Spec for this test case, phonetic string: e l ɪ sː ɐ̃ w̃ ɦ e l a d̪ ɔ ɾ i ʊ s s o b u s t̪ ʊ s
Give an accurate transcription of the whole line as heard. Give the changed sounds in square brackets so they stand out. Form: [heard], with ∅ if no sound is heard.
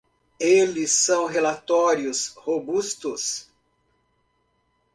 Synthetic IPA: e l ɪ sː ɐ̃ w̃ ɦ e l a [t̪] ɔ ɾ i ʊ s [h] o b u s t̪ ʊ s